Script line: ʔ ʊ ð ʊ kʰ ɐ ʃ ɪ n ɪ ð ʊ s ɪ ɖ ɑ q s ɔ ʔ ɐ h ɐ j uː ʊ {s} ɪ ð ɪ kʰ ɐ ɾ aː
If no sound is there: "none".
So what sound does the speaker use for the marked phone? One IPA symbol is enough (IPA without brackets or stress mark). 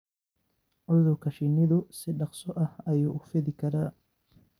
f